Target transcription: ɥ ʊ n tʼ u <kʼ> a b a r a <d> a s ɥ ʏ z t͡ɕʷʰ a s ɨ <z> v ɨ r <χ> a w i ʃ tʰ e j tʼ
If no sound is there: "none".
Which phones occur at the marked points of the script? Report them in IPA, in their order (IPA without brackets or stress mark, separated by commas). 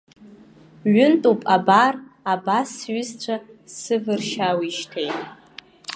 pʼ, b, none, ʃ